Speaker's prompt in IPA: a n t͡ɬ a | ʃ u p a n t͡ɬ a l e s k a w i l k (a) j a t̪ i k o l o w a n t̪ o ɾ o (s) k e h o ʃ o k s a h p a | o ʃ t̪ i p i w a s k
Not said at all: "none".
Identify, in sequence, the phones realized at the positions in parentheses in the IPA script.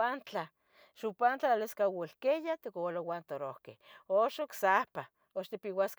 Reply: e, h

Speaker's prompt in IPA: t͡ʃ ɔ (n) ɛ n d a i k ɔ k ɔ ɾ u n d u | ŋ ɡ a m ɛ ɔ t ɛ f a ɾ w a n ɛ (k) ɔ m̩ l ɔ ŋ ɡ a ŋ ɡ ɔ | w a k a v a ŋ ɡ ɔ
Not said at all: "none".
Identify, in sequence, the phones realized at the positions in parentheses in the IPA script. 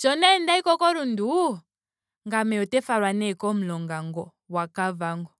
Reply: n, k

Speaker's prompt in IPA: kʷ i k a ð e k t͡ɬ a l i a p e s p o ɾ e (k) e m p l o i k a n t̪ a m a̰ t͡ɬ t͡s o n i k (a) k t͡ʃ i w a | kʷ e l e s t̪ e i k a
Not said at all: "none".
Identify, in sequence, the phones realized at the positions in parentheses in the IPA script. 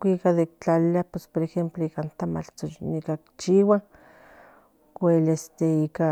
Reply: x, a

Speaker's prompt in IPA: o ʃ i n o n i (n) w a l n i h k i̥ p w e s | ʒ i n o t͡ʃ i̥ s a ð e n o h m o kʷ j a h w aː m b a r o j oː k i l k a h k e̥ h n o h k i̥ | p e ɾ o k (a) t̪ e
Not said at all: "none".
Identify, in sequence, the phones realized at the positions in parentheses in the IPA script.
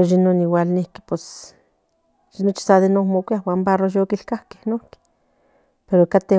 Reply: none, a

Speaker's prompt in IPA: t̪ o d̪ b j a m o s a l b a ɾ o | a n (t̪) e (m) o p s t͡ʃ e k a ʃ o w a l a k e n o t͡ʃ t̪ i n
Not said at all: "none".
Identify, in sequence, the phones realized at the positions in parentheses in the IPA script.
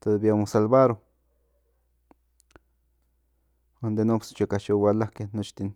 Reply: d̪, n

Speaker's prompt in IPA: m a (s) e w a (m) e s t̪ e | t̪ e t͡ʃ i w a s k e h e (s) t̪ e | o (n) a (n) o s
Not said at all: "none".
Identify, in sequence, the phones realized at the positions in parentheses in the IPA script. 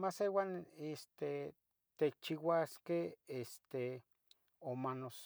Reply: s, n, s, m, n

